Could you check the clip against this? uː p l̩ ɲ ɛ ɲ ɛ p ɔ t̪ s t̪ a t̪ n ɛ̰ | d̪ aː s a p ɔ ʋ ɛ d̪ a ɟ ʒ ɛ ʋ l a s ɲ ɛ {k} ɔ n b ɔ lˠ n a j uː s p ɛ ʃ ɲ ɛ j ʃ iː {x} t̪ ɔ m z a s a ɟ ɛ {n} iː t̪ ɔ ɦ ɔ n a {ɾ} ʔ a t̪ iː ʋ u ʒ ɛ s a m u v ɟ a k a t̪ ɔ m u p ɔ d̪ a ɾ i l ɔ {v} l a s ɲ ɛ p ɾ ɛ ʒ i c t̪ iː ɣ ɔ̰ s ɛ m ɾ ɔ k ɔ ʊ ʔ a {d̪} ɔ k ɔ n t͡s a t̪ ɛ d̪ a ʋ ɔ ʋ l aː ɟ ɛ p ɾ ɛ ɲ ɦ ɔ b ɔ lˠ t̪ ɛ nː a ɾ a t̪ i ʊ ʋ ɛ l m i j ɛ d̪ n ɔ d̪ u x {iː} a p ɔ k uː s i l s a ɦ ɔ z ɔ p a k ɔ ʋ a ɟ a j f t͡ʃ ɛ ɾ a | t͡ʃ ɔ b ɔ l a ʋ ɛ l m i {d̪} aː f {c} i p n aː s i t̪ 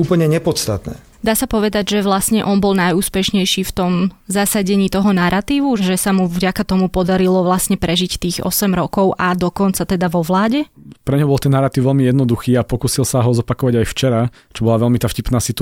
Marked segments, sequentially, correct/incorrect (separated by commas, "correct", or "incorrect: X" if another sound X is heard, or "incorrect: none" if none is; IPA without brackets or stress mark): incorrect: ʔ, incorrect: f, incorrect: ɲ, correct, incorrect: ʋ, correct, correct, incorrect: t̪, correct